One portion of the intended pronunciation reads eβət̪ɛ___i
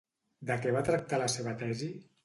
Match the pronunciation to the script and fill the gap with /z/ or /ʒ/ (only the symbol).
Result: z